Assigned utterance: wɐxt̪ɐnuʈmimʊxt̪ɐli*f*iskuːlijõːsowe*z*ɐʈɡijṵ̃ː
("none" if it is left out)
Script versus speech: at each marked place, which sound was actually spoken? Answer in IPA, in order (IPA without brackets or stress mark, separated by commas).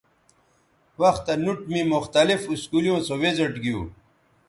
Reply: f, z